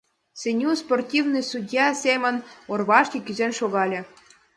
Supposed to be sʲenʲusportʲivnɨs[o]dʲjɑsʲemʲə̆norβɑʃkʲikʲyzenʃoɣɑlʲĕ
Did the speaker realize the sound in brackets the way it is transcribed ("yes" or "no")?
no